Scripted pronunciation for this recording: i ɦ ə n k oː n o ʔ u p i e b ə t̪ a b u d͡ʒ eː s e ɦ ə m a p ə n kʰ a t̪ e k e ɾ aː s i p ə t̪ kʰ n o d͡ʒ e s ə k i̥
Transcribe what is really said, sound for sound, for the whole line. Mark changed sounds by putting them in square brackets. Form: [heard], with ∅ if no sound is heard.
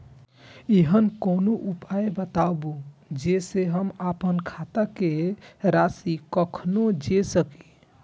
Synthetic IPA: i ɦ ə n k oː n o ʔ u p [a] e b ə t̪ a b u d͡ʒ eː s e ɦ ə m a p ə n kʰ a t̪ [a] k e ɾ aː s i [k] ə [∅] kʰ n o d͡ʒ e s ə k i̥